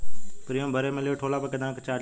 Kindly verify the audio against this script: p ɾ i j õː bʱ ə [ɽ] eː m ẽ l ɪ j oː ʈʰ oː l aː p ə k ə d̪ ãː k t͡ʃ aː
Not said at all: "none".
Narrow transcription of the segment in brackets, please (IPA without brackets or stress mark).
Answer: ɾ